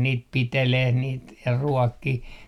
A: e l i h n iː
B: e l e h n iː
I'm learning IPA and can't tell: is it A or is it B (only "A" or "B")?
B